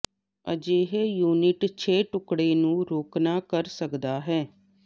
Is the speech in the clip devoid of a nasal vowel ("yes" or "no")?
no